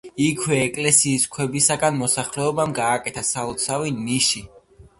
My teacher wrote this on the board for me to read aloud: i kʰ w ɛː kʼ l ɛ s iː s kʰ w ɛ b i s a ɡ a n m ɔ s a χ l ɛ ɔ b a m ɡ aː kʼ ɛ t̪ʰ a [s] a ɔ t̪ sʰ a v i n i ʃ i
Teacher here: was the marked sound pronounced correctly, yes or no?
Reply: yes